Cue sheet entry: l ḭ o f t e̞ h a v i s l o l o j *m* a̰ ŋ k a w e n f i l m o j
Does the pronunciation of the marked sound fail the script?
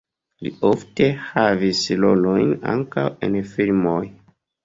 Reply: yes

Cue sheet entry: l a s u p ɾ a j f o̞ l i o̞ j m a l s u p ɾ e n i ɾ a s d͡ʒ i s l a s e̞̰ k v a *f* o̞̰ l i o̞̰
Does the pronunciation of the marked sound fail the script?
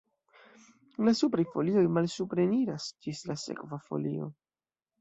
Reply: no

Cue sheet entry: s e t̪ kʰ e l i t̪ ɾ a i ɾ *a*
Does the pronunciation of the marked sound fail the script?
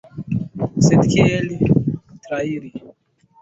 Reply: yes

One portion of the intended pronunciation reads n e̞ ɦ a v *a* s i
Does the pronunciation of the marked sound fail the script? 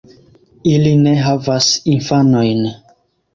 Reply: no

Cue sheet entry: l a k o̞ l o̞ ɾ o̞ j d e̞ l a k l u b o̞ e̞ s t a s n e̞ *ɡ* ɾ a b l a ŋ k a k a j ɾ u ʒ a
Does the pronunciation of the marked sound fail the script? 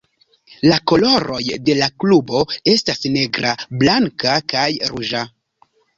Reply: no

